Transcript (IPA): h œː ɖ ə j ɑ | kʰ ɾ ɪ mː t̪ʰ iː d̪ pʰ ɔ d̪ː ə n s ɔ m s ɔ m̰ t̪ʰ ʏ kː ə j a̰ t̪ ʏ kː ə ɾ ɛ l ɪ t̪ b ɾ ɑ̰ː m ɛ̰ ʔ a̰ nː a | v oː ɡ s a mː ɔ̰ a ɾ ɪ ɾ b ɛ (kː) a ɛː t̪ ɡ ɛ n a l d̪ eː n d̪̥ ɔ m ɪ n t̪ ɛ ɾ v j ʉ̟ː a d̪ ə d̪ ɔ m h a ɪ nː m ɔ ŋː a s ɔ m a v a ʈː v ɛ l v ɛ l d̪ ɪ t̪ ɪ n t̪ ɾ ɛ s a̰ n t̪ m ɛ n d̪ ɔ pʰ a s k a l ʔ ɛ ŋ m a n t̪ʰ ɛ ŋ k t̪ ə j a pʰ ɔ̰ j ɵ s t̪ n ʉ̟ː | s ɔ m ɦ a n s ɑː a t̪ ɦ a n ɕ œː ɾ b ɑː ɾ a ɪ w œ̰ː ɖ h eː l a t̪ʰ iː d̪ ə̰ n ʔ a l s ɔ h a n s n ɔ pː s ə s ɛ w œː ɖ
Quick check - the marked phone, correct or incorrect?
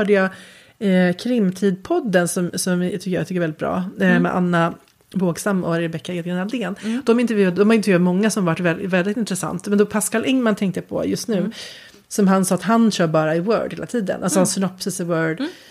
correct